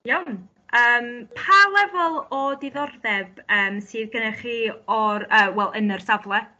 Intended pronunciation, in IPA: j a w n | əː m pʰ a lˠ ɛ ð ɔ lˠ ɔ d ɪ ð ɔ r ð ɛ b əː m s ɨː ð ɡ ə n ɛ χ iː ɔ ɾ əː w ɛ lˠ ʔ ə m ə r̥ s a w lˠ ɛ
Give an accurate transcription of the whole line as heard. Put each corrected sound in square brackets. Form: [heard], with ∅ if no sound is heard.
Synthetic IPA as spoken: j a w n | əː m pʰ a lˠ ɛ [v] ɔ lˠ ɔ d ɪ ð ɔ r ð ɛ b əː m s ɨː ð ɡ ə n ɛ χ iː ɔ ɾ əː w ɛ lˠ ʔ ə [n] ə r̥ s a [v] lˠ ɛ